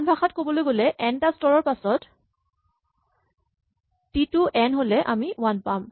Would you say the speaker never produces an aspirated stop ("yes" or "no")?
yes